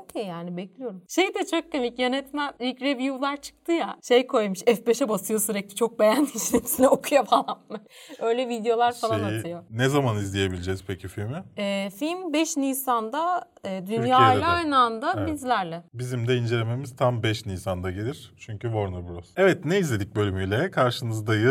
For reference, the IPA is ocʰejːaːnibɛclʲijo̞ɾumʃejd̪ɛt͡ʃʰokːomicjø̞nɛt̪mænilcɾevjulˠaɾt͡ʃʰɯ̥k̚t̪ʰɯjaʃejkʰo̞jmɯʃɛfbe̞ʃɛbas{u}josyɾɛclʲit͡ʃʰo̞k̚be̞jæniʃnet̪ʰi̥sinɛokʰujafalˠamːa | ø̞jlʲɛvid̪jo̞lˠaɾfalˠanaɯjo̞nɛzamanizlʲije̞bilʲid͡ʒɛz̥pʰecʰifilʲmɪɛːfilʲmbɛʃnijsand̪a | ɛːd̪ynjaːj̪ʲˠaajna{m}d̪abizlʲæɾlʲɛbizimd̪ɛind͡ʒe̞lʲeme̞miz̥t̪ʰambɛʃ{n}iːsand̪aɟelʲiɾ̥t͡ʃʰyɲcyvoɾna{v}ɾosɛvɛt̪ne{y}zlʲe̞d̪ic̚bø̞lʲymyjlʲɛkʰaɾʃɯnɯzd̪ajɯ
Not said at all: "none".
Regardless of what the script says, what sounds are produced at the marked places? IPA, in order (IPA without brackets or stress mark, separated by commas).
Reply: ɯ, n, n, b, i